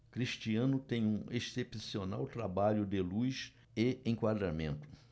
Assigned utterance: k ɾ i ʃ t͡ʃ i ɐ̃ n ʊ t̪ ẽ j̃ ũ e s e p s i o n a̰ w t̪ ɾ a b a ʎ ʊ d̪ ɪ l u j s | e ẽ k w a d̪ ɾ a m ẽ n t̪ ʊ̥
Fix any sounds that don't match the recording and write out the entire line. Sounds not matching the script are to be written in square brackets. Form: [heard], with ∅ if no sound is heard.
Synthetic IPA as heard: k ɾ i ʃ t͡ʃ i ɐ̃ n ʊ t̪ ẽ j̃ ũ e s e p s i o n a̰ w t̪ ɾ a b a ʎ ʊ d̪ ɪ l u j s | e ẽ k w a d̪ ɾ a m ẽ n t̪ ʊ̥